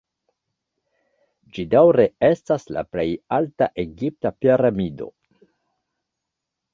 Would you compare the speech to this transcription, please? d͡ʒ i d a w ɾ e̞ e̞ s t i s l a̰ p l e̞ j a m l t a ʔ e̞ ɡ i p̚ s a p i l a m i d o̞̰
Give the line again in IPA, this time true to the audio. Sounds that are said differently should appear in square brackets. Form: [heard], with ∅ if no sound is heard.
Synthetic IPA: d͡ʒ i d a w ɾ e̞ e̞ s t [a] s l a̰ p l e̞ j a [∅] l t a ʔ e̞ ɡ i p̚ [t] a p i [ɾ] a m i d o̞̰